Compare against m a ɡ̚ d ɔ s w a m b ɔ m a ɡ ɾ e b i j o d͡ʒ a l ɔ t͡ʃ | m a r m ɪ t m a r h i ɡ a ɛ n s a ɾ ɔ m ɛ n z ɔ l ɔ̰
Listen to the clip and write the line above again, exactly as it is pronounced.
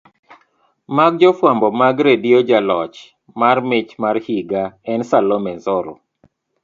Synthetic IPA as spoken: m a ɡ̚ d͡ʒ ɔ f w a m b ɔ m a ɡ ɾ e d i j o d͡ʒ a l ɔ t͡ʃ | m a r m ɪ t͡ʃ m a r h i ɡ a ɛ n s a l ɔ m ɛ n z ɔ ɾ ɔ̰